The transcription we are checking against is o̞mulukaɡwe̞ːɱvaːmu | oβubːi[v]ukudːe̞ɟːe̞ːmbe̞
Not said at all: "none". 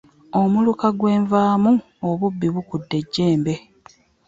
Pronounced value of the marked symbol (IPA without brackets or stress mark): β